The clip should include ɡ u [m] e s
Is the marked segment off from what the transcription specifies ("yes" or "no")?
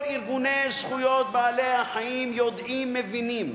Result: yes